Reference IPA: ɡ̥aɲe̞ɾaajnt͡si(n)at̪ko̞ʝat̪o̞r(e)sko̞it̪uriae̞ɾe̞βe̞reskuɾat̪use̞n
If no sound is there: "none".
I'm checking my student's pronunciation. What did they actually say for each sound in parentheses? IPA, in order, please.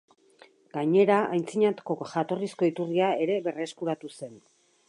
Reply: ɲ, i

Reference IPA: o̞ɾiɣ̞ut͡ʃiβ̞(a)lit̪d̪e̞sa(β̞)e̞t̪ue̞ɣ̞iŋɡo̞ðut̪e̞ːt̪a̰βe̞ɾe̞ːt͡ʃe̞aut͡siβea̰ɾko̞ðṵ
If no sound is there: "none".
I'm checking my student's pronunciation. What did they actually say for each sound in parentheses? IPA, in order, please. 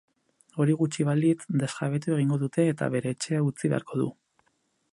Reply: a, β̞

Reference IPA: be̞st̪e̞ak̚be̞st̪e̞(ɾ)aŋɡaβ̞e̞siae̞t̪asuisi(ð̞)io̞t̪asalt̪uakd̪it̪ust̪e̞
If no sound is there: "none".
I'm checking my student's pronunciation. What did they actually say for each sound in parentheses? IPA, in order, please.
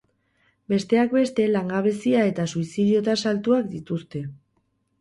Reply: l, ð̞

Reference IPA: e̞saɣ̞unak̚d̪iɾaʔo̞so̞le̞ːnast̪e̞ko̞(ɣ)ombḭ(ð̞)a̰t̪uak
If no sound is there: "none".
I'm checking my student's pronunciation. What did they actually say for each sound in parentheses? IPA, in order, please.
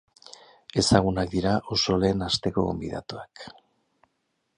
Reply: ɣ, ð̞

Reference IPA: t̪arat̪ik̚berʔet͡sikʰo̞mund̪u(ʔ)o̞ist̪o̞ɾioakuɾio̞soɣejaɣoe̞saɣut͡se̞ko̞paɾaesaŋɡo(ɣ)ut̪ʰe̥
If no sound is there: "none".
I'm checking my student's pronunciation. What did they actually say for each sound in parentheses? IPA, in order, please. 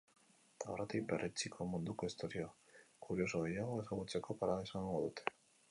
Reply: k, ð

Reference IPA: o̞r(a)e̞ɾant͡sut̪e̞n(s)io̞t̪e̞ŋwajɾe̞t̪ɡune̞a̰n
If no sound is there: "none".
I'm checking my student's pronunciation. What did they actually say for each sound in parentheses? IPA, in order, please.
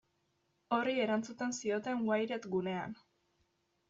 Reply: i, s

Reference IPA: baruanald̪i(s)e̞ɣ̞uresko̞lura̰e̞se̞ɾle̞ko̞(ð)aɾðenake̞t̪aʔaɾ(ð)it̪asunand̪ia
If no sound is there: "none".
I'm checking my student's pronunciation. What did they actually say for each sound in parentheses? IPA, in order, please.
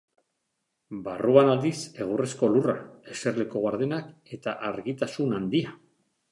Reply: s, ɣ, ɣ

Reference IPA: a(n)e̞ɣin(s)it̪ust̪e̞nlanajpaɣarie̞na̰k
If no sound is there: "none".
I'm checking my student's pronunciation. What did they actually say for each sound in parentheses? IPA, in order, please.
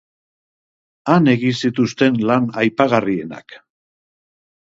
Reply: n, s

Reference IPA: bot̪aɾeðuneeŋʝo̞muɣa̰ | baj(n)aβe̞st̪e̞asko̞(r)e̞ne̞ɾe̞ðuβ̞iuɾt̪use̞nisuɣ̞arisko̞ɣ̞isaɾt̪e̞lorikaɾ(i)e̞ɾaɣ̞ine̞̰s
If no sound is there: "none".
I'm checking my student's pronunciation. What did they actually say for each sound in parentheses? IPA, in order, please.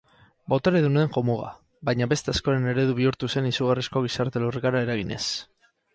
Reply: ɲ, ɾ, a

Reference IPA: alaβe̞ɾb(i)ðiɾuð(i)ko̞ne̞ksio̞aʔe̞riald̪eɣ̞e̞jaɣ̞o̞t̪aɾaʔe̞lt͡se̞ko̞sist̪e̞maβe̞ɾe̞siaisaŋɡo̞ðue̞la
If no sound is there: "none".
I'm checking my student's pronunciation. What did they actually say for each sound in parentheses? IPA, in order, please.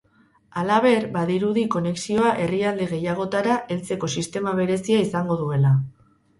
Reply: a, i

